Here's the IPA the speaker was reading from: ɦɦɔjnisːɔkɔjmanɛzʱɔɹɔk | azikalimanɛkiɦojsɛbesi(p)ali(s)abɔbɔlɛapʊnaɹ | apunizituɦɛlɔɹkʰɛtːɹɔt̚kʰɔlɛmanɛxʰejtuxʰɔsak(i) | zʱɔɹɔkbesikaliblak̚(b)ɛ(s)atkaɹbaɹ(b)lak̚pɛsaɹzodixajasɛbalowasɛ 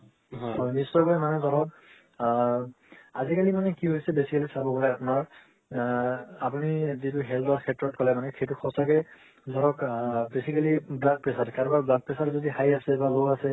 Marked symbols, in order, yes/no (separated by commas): no, yes, no, no, yes, yes